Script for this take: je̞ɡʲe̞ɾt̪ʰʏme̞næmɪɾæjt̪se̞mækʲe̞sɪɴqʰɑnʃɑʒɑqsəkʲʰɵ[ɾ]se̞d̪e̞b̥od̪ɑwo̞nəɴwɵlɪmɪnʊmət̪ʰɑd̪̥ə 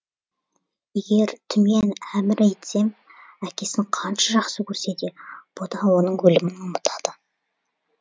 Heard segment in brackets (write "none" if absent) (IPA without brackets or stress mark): ɾ